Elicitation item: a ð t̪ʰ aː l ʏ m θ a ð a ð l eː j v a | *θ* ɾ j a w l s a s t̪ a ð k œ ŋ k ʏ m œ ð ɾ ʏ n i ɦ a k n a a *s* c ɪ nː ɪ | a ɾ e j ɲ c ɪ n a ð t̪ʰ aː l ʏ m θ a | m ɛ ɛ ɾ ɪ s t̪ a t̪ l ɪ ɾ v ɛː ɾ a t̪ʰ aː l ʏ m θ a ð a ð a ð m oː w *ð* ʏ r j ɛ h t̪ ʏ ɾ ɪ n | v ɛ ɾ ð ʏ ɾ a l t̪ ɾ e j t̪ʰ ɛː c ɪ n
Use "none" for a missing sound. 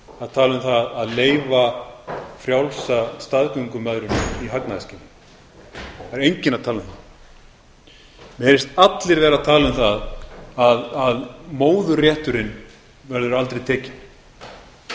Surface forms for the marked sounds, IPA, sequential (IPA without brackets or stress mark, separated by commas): f, s, ð